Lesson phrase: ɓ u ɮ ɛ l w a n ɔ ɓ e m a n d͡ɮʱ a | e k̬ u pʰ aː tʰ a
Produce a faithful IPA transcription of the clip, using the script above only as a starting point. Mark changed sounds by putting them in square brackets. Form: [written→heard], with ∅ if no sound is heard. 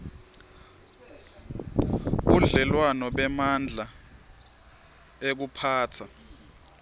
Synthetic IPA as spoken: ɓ u ɮ ɛ l w a n ɔ ɓ [e→ɛ] m a n d͡ɮʱ a | e k̬ u pʰ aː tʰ a